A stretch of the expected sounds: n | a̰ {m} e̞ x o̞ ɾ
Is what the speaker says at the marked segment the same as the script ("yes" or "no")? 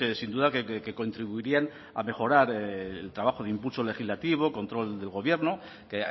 yes